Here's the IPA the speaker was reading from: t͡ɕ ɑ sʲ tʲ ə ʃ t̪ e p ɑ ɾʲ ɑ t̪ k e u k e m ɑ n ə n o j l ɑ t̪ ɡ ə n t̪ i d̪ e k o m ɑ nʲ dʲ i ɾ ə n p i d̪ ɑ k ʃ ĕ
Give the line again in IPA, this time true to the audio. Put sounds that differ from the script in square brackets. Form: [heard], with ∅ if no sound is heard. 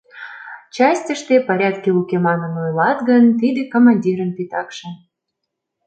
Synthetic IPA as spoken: t͡ɕ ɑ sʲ tʲ ə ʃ t̪ e p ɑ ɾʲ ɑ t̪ k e u k e m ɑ n ə n o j l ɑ t̪ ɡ ə n t̪ i d̪ e k o m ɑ nʲ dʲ i ɾ ə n p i [t̪] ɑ k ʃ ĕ